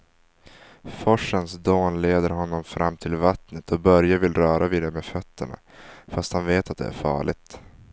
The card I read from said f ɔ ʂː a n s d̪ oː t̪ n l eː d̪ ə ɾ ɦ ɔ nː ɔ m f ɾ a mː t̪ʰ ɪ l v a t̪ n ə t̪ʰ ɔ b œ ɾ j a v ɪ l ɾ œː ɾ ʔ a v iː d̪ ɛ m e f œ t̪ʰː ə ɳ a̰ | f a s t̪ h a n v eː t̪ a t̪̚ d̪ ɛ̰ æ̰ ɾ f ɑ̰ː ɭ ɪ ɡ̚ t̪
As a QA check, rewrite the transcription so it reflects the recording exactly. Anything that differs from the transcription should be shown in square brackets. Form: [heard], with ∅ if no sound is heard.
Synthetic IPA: f ɔ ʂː [ə] n s d̪ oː [∅] n l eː d̪ ə ɾ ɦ ɔ nː ɔ m f ɾ a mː t̪ʰ ɪ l v a t̪ n ə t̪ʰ ɔ b œ ɾ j a v ɪ l ɾ œː ɾ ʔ a v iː d̪ ɛ m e f œ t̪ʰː ə ɳ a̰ | f a s t̪ h a n v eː t̪ a t̪̚ d̪ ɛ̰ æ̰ ɾ f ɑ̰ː ɭ ɪ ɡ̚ t̪